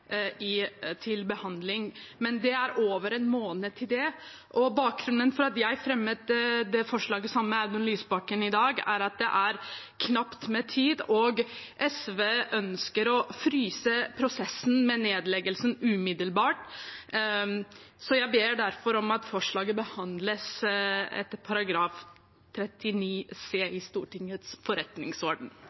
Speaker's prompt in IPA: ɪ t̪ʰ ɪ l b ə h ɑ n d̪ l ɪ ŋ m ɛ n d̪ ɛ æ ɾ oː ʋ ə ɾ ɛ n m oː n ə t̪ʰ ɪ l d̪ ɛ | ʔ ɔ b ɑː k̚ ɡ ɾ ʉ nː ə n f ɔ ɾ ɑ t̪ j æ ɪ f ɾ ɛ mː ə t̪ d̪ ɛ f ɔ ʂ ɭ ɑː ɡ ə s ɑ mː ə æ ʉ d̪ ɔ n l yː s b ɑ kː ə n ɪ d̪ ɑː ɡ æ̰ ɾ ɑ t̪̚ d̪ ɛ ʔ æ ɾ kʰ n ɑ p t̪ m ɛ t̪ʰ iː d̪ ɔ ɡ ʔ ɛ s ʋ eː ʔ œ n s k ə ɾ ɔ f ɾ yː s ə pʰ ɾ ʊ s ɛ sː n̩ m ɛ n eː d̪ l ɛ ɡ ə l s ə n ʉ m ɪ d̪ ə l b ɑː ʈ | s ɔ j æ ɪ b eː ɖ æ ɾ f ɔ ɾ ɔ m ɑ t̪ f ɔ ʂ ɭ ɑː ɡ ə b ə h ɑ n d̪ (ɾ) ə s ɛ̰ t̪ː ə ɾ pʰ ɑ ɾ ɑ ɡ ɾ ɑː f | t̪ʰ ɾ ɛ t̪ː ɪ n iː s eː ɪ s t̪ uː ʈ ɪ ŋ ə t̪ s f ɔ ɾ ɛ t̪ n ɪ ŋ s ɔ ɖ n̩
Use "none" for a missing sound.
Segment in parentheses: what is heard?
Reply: l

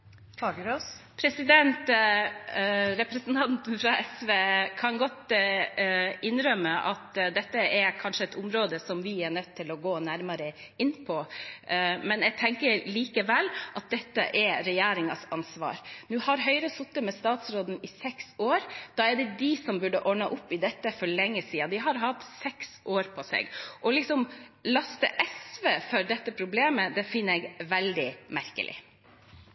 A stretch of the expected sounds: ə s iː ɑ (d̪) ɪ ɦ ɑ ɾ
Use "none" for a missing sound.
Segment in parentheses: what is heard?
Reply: d̪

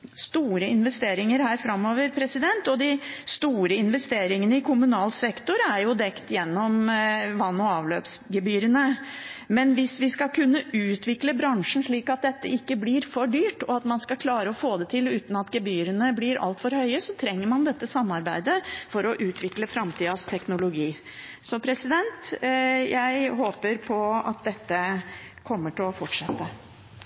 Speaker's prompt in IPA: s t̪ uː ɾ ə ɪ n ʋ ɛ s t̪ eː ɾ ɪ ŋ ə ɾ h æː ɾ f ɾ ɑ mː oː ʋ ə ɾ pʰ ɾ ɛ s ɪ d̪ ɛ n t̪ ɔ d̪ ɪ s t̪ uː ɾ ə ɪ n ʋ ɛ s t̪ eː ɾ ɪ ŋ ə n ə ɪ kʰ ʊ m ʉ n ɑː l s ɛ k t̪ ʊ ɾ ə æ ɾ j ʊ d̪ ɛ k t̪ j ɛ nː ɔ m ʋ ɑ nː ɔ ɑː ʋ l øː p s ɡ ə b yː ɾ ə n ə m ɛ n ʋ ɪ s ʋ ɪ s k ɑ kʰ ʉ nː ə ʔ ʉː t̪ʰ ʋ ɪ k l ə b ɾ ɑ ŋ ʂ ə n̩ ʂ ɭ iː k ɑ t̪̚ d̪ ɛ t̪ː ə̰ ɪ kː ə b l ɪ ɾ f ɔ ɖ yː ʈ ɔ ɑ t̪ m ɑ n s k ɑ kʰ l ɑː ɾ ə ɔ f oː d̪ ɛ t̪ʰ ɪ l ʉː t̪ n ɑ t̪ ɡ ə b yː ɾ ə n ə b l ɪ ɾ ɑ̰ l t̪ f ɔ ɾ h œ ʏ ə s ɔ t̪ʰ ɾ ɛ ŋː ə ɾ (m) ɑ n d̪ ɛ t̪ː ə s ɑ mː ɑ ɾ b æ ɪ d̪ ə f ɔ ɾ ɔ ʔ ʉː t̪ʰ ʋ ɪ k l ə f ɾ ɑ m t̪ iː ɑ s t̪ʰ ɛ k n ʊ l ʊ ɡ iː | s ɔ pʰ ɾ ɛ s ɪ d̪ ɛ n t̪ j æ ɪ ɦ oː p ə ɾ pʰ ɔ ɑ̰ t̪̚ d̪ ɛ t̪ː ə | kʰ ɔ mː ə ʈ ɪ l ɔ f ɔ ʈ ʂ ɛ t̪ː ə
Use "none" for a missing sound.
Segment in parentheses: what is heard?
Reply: m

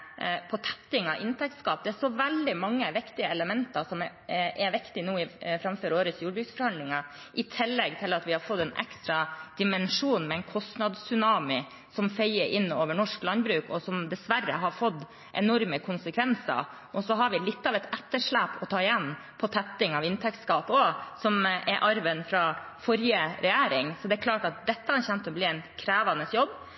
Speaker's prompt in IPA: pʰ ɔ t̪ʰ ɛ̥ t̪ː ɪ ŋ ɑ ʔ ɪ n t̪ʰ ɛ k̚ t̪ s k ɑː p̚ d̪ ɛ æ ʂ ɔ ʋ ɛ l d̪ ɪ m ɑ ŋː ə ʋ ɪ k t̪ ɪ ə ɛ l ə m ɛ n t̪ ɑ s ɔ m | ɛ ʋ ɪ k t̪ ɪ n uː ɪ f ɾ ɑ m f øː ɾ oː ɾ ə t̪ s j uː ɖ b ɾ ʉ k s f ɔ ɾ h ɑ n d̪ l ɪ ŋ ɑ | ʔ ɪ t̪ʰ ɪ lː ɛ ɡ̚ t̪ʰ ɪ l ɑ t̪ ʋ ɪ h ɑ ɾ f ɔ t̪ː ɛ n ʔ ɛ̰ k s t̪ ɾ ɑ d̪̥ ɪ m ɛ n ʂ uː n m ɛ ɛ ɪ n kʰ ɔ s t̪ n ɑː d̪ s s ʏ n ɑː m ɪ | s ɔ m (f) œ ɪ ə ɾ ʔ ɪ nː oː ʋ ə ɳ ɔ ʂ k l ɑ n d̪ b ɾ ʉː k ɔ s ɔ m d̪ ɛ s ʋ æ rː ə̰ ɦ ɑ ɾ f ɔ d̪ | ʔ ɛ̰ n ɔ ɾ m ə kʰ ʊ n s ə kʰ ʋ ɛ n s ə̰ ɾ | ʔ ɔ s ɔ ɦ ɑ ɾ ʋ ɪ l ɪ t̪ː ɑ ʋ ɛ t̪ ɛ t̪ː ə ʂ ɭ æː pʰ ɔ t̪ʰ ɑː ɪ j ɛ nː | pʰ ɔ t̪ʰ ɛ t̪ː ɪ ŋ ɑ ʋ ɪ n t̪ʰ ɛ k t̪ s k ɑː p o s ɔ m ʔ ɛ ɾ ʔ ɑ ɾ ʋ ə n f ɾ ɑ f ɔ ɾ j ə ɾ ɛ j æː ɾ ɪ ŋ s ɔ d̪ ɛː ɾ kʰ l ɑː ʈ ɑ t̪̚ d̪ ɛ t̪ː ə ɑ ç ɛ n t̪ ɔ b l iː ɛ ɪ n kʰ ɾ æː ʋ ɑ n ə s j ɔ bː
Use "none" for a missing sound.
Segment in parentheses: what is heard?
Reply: f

